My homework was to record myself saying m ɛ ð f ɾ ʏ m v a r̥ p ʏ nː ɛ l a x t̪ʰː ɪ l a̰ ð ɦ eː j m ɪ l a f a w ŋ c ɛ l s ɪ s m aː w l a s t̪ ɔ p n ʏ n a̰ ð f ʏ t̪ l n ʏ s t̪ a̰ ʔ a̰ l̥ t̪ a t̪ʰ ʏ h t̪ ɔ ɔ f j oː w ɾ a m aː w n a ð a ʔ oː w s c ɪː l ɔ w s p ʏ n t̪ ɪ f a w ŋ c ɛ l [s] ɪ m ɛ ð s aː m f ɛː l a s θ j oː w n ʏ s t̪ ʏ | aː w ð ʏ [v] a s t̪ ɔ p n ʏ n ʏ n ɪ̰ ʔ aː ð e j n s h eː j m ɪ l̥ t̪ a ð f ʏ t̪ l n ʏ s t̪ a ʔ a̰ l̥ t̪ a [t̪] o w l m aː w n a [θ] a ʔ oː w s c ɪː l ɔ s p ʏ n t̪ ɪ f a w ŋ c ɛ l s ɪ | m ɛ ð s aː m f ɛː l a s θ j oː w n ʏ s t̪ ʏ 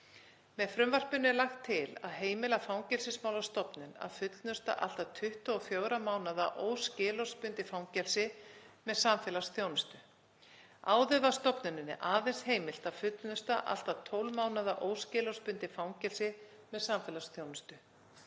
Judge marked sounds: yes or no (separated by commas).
yes, yes, no, no